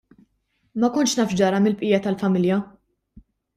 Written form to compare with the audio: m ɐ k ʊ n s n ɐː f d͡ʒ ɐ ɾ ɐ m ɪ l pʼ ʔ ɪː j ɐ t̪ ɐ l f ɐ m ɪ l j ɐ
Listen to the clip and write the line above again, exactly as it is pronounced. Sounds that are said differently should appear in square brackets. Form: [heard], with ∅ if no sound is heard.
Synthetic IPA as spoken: m ɐ k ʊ n [ʃ] n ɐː f d͡ʒ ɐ ɾ ɐ m ɪ l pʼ ʔ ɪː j ɐ t̪ ɐ l f ɐ m ɪ l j ɐ